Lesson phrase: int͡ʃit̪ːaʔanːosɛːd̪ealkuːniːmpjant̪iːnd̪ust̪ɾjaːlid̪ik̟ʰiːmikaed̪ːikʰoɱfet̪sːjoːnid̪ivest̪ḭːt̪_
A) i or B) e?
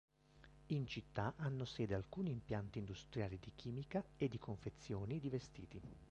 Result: A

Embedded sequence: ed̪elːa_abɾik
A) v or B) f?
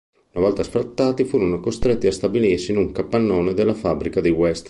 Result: B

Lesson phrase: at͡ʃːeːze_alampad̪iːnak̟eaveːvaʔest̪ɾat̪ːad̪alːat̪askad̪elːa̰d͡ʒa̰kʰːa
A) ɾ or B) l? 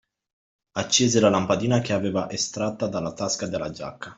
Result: B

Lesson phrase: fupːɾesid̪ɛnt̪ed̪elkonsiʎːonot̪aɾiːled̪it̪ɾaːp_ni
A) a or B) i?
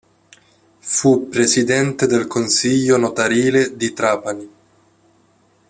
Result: A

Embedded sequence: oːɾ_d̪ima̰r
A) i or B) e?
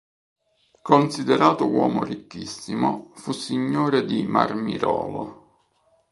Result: B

